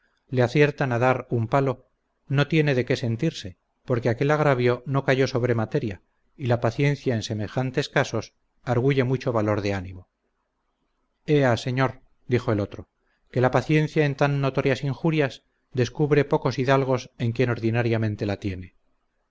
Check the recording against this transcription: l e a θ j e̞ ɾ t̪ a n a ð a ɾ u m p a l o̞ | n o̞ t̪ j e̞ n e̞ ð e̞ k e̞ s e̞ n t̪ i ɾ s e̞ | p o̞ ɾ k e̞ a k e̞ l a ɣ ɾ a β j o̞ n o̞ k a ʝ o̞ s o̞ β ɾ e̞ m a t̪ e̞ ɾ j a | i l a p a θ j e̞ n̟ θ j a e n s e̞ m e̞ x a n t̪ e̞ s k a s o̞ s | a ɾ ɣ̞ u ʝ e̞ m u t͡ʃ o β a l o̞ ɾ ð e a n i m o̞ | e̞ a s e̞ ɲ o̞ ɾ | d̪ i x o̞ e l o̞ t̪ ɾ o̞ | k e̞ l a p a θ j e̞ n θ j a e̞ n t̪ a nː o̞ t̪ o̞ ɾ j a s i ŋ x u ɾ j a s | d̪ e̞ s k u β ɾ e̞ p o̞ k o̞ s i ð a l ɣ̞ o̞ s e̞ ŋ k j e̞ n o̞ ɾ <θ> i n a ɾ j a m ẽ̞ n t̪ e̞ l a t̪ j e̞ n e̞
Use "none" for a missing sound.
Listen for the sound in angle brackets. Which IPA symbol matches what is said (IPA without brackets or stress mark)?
ð